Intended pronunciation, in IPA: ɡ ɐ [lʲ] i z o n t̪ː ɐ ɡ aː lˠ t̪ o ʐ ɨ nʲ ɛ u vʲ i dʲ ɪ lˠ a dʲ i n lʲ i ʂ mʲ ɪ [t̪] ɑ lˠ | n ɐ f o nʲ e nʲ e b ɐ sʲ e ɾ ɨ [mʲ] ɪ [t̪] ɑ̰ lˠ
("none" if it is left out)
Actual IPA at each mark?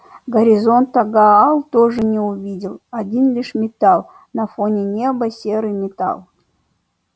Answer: ɾʲ, t̪, mʲ, t̪

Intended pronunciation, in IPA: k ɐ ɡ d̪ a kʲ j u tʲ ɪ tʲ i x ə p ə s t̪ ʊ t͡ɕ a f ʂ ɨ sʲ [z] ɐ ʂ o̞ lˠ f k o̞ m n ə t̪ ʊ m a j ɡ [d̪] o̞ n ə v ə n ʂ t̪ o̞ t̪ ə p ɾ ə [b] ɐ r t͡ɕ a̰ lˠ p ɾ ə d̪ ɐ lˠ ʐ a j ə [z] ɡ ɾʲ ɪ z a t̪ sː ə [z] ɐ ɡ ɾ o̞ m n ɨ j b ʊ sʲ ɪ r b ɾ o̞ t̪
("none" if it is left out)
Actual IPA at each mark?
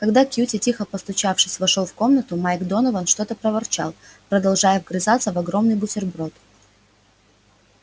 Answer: v, d̪, v, v, v

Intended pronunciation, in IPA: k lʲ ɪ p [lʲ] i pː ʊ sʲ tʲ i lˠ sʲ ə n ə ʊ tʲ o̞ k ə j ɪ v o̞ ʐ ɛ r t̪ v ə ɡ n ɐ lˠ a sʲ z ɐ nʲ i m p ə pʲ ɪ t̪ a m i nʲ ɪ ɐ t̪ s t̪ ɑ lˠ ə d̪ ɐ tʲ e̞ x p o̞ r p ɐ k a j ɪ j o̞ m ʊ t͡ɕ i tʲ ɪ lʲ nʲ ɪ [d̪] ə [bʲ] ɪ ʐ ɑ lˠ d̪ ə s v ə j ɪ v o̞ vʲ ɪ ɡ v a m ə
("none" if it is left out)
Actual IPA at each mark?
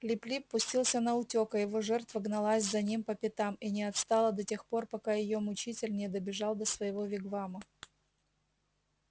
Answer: lʲ, d̪, bʲ

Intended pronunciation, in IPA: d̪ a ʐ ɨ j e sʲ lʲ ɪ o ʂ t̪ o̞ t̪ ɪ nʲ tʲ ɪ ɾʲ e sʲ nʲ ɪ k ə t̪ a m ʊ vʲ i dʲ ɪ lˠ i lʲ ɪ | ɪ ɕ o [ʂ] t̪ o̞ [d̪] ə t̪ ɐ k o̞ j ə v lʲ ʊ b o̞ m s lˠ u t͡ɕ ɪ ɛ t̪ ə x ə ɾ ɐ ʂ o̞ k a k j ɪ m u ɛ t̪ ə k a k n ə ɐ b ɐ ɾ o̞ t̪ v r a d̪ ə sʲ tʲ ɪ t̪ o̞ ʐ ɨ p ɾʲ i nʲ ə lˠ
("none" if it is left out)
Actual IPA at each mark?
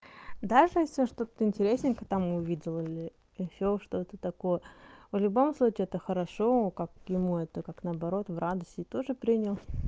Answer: ʂ, t̪

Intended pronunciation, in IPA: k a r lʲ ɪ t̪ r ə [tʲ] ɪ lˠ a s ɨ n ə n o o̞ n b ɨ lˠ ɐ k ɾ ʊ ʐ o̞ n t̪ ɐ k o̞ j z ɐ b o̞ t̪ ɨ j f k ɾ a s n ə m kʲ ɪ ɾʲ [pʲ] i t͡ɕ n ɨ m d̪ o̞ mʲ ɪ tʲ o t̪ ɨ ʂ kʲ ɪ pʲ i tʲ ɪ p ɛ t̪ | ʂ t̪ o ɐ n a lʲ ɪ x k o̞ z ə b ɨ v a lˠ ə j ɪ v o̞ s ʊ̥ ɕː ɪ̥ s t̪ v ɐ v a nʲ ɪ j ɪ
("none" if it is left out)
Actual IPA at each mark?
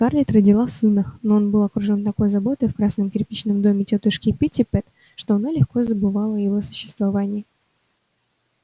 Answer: dʲ, pʲ

